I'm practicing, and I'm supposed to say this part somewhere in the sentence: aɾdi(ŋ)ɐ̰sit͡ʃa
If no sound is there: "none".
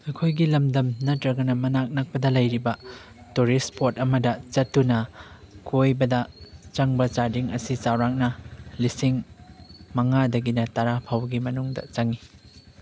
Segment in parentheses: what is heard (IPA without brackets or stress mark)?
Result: ŋ